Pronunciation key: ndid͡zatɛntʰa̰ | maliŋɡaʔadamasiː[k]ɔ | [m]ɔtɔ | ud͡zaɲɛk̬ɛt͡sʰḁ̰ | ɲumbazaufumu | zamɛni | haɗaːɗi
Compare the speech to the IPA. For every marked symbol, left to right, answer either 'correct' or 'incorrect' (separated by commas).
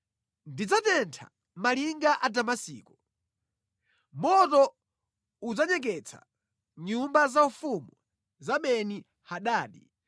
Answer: correct, correct